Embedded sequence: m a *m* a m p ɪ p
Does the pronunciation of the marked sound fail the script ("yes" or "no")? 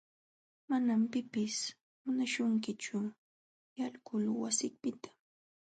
yes